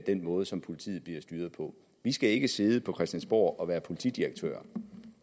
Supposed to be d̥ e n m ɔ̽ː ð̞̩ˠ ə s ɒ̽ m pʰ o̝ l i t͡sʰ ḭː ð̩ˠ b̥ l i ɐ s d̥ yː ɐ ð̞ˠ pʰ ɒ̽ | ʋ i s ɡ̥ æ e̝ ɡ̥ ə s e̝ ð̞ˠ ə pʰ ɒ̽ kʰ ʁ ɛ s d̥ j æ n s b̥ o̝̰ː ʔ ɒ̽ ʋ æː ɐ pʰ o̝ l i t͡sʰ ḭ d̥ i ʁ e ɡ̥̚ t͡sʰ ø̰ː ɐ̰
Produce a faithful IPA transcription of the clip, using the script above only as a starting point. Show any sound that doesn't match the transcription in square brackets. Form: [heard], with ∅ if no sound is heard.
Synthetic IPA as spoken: d̥ e n m ɔ̽ː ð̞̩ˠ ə s ɒ̽ m pʰ o̝ l i t͡sʰ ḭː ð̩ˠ b̥ l i ɐ s d̥ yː ɐ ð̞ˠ pʰ ɒ̽ | ʋ i s ɡ̥ æ e̝ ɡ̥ ə s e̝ ð̞ˠ ə pʰ ɒ̽ kʰ ʁ ɛ s d̥ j æ n s b̥ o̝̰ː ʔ ɒ̽ ʋ æː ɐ pʰ o̝ l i t͡sʰ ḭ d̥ i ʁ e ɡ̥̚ t͡sʰ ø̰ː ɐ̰